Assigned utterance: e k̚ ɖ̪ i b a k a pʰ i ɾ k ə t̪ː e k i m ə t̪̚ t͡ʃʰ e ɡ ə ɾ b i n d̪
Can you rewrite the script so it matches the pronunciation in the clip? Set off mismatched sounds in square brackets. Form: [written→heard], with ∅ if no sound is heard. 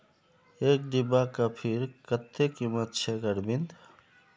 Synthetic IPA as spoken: e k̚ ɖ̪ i b a k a pʰ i ɾ k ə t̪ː e k i m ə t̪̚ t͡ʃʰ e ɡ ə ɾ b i n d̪